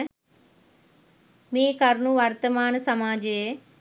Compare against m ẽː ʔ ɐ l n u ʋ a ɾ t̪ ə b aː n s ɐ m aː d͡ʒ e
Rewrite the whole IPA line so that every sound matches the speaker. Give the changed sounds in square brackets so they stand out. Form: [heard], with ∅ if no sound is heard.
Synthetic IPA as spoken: m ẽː [k] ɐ [ɾ] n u ʋ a ɾ t̪ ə [m] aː n s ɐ m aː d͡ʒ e